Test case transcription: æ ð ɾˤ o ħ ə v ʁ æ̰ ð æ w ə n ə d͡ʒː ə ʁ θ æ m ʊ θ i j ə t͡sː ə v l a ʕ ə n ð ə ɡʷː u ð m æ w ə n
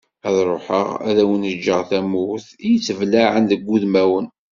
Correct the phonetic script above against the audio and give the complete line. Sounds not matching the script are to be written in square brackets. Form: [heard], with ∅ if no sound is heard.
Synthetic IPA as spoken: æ ð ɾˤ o ħ ə [∅] ʁ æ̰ ð æ w ə n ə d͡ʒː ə ʁ θ æ m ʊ θ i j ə t͡sː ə v l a ʕ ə n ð ə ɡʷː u ð m æ w ə n